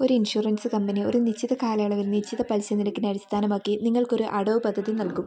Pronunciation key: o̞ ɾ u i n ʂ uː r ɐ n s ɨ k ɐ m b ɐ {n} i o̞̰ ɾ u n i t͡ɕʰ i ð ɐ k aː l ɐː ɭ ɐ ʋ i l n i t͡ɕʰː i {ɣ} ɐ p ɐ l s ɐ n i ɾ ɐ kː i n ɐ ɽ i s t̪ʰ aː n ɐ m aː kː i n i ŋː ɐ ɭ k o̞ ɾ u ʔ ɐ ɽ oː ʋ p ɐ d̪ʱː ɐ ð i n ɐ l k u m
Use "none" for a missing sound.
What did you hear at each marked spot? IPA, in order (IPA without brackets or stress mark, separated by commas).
n, ð